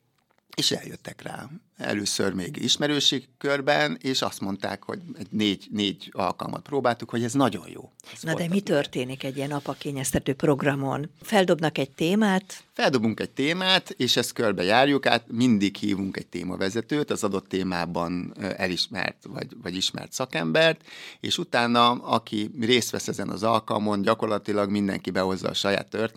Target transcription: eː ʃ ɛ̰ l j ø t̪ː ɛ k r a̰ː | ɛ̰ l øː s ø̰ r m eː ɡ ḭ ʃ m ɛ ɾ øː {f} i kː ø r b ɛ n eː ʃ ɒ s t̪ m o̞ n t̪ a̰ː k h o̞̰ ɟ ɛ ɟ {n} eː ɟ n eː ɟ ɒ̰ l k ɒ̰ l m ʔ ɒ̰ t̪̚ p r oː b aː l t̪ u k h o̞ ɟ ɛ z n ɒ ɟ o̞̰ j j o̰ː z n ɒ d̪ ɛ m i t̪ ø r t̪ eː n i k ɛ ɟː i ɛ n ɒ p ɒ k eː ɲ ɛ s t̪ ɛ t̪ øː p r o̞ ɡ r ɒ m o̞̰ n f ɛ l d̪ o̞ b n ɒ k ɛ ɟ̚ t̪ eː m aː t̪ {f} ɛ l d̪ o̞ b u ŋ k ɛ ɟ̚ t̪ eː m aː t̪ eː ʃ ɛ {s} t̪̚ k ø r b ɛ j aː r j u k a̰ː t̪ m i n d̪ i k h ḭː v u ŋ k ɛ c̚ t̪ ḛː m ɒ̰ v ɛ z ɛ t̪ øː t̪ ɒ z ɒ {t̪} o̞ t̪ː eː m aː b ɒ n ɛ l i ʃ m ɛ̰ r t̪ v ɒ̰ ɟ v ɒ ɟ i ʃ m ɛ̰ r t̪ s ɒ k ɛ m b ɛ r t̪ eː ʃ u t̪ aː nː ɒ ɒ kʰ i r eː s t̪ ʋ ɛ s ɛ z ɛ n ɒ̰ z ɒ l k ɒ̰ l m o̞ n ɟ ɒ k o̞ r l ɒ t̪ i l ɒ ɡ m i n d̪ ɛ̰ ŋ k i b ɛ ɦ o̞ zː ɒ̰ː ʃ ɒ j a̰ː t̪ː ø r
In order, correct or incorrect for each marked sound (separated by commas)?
incorrect, correct, correct, correct, incorrect